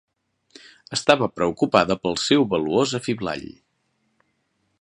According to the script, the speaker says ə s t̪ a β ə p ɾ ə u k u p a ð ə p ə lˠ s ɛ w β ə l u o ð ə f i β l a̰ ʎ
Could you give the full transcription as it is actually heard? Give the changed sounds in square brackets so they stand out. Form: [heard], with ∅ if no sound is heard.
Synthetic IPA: ə s t̪ a β ə p ɾ ə u k u p a ð ə p ə lˠ s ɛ w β ə l u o [z] ə f i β l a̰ ʎ